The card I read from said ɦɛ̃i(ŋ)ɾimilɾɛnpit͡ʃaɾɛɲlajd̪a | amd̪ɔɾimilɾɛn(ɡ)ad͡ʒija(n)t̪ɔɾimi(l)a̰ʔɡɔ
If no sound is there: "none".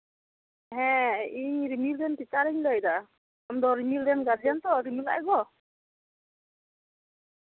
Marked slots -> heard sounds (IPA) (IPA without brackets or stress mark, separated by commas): ɲ, ɡ, n, l